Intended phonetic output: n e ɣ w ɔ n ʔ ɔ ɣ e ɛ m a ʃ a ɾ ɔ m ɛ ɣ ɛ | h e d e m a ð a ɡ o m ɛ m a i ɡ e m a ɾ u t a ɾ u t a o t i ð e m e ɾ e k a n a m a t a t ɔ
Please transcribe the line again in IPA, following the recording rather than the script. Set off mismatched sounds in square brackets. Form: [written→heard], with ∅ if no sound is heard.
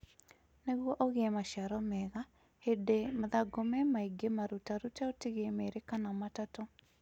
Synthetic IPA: n e ɣ w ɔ [n→∅] ʔ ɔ ɣ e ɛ m a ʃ a ɾ ɔ m ɛ ɣ [ɛ→a] | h e d e m a ð a ɡ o m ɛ m a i ɡ e m a ɾ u t a ɾ u t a o t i [ð→ɣ] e m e ɾ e k a n a m a t a t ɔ